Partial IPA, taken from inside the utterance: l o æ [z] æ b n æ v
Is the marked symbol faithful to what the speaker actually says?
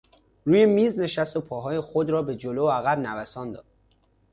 no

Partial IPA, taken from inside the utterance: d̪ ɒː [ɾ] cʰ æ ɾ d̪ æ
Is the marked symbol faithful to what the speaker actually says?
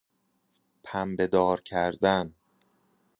yes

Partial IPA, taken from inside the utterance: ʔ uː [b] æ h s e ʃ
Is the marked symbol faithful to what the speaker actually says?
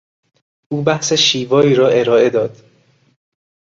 yes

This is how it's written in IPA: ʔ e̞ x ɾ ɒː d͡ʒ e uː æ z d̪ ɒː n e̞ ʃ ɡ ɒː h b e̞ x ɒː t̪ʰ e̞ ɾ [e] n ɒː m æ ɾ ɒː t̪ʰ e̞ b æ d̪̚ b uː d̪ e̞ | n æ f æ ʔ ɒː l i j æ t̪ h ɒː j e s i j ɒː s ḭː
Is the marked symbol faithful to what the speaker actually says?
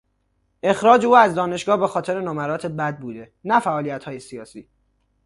yes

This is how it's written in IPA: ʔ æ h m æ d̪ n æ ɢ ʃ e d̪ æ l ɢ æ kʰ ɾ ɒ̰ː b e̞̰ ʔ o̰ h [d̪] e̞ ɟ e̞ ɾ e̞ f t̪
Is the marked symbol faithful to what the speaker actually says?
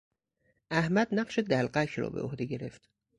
yes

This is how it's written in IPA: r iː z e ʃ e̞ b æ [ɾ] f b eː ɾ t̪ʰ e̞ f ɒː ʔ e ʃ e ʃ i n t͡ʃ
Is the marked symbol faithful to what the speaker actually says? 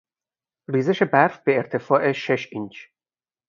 yes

